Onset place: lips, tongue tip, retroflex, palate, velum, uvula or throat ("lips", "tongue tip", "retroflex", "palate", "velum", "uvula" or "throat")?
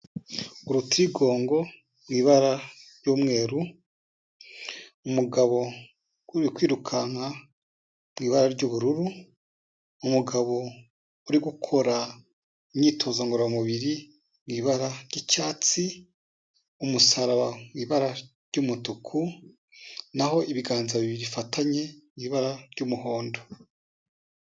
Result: tongue tip